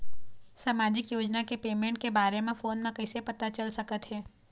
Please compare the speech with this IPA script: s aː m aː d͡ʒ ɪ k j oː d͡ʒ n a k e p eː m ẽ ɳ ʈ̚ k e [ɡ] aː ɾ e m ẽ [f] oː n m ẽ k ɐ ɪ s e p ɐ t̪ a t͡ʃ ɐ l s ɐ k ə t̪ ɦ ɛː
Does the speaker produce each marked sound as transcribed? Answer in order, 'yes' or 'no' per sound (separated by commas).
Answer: no, yes